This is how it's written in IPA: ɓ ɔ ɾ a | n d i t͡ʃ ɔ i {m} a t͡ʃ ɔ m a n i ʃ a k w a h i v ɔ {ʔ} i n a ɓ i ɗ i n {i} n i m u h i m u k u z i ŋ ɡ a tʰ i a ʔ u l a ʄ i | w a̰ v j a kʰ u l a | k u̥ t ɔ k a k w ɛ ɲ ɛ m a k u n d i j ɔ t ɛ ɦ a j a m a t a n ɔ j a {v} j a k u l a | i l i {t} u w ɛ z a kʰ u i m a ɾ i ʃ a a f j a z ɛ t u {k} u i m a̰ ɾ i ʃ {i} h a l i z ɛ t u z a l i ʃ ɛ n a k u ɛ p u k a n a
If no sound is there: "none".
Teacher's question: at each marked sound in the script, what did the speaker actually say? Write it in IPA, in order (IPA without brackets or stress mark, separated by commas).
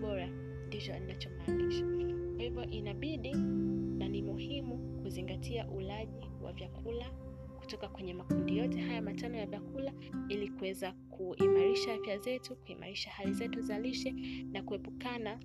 n, ʔ, a, v, k, k, a